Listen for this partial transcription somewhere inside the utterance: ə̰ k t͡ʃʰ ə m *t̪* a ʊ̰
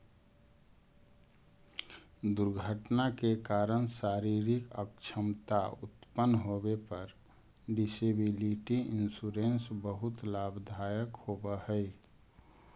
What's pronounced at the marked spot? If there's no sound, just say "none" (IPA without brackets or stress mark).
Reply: t̪